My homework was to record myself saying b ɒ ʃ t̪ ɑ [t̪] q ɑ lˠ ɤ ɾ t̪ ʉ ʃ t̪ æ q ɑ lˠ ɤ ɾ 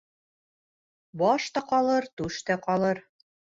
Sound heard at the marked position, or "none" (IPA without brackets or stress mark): none